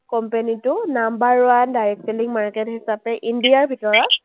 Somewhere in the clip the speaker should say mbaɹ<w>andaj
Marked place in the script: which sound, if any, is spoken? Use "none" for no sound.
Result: w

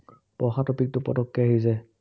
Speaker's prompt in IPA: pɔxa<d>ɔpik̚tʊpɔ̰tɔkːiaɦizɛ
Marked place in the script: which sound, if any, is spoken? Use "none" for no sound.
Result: t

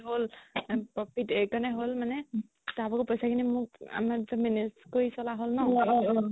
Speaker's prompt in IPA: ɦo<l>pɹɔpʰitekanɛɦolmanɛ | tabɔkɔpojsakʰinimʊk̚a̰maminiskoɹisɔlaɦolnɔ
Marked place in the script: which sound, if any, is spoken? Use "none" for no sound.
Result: l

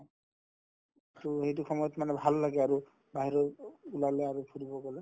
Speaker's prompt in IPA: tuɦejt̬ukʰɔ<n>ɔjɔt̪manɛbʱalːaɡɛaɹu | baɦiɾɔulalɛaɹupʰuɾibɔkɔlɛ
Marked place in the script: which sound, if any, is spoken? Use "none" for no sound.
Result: m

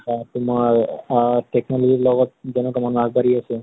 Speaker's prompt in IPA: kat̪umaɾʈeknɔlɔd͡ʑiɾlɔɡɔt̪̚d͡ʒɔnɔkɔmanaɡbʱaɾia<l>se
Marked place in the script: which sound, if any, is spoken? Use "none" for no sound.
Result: none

